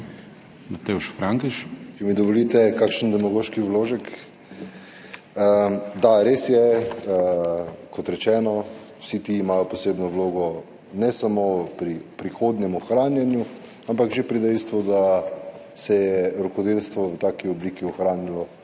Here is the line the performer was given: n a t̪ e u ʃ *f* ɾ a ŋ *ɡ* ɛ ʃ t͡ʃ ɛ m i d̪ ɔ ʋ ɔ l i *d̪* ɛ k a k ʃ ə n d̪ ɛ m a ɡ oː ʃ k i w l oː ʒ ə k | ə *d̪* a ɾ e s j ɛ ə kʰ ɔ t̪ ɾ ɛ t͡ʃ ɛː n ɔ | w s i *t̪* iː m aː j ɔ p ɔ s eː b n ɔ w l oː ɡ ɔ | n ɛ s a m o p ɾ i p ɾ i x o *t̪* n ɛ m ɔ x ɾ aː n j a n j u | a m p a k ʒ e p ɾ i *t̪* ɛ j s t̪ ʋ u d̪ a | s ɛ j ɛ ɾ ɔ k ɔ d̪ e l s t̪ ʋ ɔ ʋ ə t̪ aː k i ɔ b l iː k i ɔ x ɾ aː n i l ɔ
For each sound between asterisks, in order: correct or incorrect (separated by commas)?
correct, incorrect, incorrect, correct, correct, incorrect, incorrect